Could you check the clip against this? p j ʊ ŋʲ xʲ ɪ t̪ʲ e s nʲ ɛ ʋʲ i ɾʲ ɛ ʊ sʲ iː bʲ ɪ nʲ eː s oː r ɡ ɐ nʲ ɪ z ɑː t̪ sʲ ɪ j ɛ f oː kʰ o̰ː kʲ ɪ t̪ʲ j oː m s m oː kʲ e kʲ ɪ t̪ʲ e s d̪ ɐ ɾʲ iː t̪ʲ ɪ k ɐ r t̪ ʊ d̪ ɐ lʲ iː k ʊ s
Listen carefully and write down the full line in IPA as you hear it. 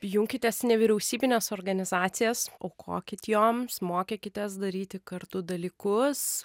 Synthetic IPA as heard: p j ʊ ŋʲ kʲ ɪ t̪ʲ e s nʲ ɛ ʋʲ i ɾʲ ɛ ʊ sʲ iː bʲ ɪ nʲ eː s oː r ɡ ɐ nʲ ɪ z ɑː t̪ sʲ ɪ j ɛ s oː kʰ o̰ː kʲ ɪ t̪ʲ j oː m s m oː kʲ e kʲ ɪ t̪ʲ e s d̪ ɐ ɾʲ iː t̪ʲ ɪ k ɐ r t̪ ʊ d̪ ɐ lʲ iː k ʊ s

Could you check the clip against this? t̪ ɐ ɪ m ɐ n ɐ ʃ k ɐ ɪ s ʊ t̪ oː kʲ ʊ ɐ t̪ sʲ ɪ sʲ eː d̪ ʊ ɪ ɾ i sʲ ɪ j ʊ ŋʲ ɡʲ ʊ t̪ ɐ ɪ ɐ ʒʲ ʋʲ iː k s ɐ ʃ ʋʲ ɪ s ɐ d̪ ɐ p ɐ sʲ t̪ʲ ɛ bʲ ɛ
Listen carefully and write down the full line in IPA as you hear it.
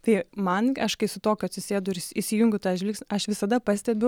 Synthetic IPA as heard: t̪ ɐ ɪ m ɐ n ɐ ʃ k ɐ ɪ s ʊ t̪ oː kʲ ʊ ɐ t̪ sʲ ɪ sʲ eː d̪ ʊ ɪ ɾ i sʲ ɪ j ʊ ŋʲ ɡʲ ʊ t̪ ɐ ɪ ɐ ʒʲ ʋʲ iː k s ɐ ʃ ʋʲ ɪ s ɐ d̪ ɐ p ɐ sʲ t̪ʲ ɛ bʲ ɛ

